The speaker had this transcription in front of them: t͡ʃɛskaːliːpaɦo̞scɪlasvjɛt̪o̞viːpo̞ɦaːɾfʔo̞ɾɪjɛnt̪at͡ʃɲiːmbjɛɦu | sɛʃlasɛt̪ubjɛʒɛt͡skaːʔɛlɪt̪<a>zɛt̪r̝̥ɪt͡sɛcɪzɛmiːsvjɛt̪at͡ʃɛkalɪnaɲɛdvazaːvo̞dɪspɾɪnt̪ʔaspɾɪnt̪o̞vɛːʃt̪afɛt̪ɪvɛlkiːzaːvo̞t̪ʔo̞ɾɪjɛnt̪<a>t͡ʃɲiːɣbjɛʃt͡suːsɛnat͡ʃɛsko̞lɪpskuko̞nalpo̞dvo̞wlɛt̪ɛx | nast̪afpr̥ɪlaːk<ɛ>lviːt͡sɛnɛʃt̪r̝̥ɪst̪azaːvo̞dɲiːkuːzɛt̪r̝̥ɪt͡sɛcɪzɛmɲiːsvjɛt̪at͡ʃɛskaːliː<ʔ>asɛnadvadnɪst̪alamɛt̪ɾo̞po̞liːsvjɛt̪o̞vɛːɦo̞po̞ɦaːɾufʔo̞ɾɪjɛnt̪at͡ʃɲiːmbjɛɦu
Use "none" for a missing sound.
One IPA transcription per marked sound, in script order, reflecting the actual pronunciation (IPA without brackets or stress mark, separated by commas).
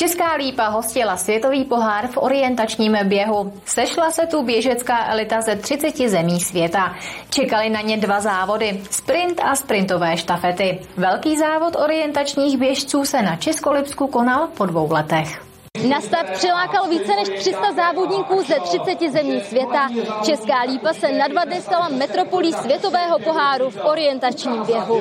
a, a, a, p